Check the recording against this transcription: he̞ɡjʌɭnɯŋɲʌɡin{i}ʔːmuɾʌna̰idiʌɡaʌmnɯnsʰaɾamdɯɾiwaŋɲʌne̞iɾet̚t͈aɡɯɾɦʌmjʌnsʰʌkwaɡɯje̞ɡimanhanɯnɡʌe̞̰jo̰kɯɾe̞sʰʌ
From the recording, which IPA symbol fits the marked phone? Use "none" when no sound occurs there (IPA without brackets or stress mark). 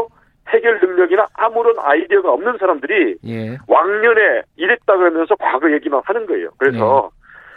a